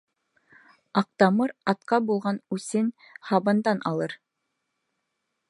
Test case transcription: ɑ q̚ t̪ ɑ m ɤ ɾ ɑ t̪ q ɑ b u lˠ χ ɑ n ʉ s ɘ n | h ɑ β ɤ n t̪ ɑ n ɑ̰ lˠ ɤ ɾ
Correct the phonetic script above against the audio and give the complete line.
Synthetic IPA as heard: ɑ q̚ t̪ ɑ m ɤ ɾ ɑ t̪ q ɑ b u lˠ ʁ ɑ n ʉ s ɘ n | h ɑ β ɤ n d̪ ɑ n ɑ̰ lˠ ɤ ɾ